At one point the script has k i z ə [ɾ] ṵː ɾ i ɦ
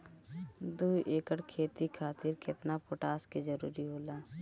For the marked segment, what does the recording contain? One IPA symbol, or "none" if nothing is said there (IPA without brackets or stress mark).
ɾ